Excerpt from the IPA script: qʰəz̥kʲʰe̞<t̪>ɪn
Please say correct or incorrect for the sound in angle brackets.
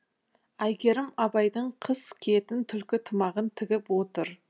correct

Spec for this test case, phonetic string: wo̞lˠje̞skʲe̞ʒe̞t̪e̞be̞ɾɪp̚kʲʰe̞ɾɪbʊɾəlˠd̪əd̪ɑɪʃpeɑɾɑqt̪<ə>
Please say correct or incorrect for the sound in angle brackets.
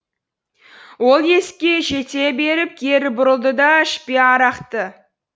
correct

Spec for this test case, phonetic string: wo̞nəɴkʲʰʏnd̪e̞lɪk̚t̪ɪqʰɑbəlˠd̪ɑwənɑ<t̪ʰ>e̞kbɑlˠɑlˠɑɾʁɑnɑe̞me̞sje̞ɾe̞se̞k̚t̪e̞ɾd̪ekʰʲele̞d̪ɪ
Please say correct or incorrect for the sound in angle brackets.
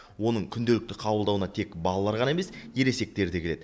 correct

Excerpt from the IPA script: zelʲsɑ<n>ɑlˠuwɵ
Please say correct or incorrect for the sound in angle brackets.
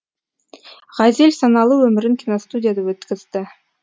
correct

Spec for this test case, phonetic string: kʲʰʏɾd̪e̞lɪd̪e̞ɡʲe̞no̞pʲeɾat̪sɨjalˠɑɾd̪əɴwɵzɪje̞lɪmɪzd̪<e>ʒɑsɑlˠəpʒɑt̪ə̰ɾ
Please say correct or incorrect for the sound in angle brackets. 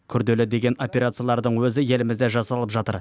correct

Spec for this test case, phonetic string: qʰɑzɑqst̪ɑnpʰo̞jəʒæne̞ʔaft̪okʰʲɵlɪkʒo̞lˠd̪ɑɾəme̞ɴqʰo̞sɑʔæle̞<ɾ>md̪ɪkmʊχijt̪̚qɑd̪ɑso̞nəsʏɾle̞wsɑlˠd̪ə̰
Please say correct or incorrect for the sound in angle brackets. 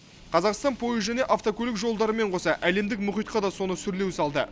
incorrect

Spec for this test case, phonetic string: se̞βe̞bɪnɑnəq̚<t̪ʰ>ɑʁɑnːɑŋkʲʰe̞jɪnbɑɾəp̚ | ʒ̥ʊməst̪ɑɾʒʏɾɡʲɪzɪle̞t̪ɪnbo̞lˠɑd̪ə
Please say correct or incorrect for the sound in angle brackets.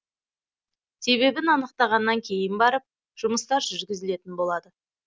incorrect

